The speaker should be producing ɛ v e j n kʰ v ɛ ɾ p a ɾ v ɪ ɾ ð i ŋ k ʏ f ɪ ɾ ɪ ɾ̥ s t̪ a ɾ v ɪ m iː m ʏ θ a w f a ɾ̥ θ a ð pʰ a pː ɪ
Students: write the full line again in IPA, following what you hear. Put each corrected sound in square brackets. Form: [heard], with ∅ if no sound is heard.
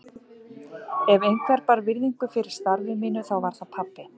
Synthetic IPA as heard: ɛ v e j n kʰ v ɛ ɾ p a ɾ v ɪ ɾ ð i ŋ k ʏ f ɪ ɾ ɪ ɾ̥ s t̪ a ɾ v ɪ m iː [n] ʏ θ a w [v] a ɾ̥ θ a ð pʰ a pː ɪ